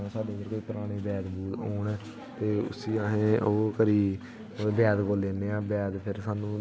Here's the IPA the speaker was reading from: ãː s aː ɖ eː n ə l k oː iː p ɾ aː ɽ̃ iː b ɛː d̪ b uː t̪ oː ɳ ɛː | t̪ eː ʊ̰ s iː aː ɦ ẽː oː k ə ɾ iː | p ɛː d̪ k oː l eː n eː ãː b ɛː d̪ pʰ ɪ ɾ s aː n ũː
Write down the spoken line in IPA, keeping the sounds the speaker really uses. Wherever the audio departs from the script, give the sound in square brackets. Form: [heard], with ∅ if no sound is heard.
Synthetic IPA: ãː s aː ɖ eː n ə [ɾ] k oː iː p ɾ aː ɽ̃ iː b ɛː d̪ b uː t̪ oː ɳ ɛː | t̪ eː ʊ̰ s iː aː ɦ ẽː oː k ə ɾ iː | [b] ɛː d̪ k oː l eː n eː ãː b ɛː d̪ pʰ ɪ ɾ s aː n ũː